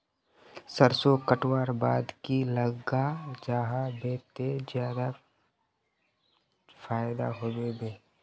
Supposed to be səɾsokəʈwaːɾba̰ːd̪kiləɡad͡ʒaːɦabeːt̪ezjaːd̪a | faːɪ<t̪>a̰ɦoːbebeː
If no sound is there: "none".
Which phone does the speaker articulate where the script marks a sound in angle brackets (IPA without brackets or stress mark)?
d̪